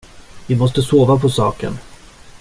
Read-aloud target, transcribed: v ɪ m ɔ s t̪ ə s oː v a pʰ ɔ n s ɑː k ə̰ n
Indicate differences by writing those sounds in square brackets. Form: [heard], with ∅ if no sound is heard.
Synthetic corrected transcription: v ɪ m ɔ s t̪ ə s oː v a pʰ ɔ [∅] s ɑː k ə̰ n